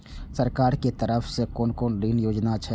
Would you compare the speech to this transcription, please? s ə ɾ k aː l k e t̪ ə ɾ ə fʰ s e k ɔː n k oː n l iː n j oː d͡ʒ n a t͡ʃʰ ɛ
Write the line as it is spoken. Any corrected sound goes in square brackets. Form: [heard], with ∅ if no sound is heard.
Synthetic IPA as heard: s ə ɾ k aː [ɾ] k e t̪ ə ɾ ə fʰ s e k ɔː n k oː n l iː n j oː d͡ʒ n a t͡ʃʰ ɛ